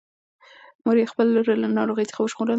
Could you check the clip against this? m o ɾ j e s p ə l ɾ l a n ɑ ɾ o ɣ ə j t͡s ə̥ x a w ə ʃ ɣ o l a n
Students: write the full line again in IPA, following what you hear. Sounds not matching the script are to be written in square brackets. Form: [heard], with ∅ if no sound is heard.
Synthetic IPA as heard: m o ɾ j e [x] p ə l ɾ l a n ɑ ɾ o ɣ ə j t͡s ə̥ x a w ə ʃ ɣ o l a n

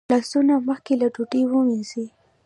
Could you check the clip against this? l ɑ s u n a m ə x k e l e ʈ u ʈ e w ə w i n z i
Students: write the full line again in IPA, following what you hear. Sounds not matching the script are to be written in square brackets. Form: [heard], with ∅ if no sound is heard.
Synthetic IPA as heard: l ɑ s u n a m ə x k e l [a] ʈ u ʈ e w ə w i n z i

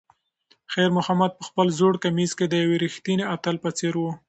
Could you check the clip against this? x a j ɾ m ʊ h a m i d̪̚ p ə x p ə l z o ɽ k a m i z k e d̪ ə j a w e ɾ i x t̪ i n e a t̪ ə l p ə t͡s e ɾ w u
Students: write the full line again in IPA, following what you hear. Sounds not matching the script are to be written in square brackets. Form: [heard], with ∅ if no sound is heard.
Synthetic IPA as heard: x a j ɾ m ʊ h a m [a] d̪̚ p ə x p ə l z o ɽ k a m i z k e d̪ ə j a w e ɾ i x t̪ i n e a t̪ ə l p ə t͡s e ɾ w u

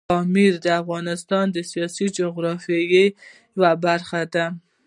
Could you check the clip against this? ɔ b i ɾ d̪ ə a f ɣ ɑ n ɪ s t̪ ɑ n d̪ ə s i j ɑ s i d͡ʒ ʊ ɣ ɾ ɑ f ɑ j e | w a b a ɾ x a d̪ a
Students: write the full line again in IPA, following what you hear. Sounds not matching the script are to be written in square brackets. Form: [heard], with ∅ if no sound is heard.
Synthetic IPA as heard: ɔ [m] i ɾ d̪ ə a f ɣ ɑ n ɪ s t̪ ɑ n d̪ ə s i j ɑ s i d͡ʒ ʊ ɣ ɾ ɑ f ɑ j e | w a b a ɾ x a d̪ a

